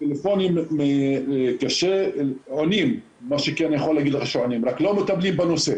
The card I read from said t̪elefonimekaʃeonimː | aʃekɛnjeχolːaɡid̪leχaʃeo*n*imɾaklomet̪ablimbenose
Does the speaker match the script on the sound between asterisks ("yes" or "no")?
yes